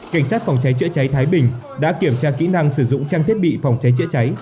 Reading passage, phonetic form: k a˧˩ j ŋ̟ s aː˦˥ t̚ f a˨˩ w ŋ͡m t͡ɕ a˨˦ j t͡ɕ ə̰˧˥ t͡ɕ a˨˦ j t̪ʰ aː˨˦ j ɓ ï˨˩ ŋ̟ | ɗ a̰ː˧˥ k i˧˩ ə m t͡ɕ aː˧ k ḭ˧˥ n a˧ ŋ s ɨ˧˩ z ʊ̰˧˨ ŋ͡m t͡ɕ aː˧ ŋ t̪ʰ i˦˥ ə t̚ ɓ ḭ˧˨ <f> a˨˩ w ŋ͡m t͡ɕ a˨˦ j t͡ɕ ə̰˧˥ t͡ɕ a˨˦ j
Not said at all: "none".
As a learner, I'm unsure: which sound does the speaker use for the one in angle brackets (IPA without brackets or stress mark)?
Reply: f